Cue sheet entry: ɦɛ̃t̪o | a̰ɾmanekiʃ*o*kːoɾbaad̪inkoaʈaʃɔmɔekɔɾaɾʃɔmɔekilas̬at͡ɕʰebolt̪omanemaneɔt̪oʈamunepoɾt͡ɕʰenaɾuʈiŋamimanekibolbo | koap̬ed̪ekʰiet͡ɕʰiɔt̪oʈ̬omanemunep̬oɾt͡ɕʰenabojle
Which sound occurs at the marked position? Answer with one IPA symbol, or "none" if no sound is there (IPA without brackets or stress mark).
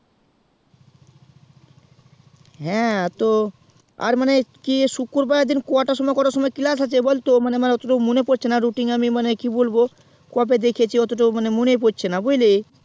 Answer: u